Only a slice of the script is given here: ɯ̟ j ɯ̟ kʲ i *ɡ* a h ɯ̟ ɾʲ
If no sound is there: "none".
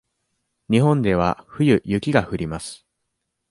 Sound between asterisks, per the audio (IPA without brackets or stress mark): ɡ